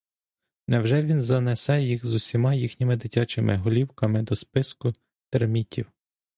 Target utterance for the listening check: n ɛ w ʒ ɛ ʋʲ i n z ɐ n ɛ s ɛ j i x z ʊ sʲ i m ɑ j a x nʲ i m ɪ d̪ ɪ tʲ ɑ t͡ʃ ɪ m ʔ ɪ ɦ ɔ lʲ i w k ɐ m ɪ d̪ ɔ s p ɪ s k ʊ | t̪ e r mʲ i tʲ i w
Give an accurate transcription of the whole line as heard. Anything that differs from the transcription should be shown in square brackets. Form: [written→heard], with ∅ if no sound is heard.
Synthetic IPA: n ɛ w ʒ ɛ ʋʲ i n z ɐ n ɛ s ɛ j i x z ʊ sʲ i m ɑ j [a→i] x nʲ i m ɪ d̪ ɪ tʲ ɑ t͡ʃ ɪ m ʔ ɪ ɦ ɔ lʲ i w k ɐ m ɪ d̪ ɔ s p ɪ s k ʊ | t̪ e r mʲ i tʲ i w